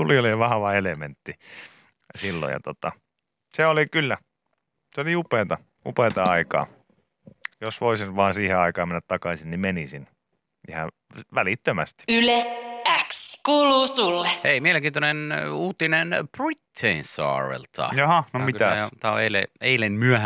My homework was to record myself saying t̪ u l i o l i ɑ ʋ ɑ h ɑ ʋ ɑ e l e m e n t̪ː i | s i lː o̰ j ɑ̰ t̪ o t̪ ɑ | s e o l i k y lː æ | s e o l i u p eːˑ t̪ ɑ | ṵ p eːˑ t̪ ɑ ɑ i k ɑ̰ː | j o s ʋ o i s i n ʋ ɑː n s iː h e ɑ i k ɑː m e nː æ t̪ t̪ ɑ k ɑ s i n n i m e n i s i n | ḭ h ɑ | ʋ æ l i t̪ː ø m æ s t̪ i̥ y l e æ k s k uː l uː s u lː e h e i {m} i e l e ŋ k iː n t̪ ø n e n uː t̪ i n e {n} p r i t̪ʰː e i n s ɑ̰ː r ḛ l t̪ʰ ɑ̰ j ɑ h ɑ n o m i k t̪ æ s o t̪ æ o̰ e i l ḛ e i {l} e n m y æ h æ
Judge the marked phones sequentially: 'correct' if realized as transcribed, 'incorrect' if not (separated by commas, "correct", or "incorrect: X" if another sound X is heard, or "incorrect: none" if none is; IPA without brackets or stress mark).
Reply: correct, correct, correct